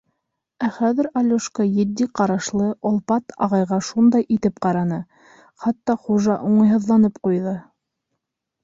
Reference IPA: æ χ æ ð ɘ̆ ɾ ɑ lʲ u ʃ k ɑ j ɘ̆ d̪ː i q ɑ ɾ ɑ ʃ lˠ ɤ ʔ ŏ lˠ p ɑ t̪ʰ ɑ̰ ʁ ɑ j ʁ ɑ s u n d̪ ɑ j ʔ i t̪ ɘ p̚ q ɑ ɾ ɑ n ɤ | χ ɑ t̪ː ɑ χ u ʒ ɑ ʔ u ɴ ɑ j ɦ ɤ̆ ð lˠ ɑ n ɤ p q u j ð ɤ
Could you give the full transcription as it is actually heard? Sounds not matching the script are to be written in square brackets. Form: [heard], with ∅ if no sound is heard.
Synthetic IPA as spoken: æ χ æ ð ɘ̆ ɾ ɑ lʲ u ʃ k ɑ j ɘ̆ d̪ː i q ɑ ɾ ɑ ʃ lˠ ɤ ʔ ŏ lˠ p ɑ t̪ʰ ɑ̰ ʁ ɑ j ʁ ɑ [ʃ] u n d̪ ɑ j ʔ i t̪ ɘ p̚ q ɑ ɾ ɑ n ɤ | χ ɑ t̪ː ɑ χ u ʒ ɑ ʔ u ɴ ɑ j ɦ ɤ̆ ð lˠ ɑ n ɤ p q u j ð ɤ